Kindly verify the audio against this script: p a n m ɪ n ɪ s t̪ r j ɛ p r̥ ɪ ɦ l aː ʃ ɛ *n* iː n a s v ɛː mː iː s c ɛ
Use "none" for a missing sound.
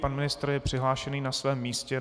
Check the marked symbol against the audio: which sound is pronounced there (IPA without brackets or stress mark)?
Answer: n